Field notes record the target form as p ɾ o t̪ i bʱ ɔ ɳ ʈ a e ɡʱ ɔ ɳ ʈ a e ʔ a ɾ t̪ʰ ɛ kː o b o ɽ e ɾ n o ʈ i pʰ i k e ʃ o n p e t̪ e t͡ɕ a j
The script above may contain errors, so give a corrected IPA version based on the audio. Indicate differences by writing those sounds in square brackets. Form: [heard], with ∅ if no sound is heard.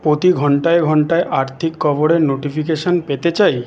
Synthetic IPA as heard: p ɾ o t̪ i [ɡʱ] ɔ ɳ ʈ a e ɡʱ ɔ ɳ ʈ a e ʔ a ɾ t̪ʰ [i] kː [ɔ] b o ɽ e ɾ n o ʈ i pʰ i k e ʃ o n p e t̪ e t͡ɕ a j